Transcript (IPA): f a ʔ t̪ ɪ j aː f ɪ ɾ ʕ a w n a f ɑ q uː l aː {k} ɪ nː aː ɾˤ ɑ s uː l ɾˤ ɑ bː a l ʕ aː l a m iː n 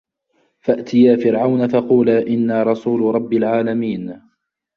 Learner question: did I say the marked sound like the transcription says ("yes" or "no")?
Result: no